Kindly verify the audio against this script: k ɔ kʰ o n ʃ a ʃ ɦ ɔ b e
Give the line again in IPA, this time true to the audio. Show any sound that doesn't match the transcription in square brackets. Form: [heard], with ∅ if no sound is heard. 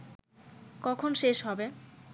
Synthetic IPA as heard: k ɔ kʰ o n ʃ [e] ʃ ɦ ɔ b e